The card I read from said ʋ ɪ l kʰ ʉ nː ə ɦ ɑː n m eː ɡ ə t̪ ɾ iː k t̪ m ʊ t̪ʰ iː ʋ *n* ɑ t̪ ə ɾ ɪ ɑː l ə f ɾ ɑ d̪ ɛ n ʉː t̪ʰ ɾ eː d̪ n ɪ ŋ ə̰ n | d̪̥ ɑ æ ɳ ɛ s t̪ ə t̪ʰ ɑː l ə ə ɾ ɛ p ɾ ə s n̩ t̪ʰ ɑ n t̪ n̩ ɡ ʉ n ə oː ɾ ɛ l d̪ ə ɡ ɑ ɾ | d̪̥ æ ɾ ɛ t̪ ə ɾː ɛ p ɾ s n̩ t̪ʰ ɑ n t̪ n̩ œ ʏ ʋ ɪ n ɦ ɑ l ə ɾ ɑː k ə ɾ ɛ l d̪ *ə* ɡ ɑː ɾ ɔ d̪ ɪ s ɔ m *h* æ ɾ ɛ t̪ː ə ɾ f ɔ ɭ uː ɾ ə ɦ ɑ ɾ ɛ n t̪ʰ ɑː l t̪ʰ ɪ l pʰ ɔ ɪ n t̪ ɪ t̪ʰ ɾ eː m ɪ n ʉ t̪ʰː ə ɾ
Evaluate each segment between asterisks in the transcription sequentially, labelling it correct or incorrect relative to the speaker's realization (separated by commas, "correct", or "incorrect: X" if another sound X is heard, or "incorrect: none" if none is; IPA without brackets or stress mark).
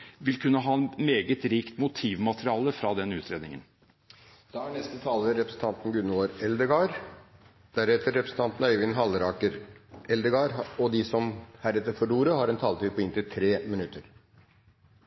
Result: incorrect: m, correct, correct